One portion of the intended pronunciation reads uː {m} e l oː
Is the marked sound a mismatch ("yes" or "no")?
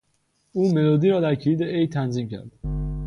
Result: no